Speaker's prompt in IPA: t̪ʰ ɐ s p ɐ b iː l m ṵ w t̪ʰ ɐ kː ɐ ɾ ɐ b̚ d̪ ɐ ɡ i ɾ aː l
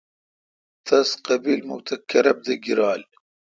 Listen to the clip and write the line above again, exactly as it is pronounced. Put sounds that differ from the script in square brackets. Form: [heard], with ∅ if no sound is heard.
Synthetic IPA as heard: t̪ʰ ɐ s [q] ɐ b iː l m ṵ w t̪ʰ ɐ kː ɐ ɾ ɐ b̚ d̪ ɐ ɡ i ɾ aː l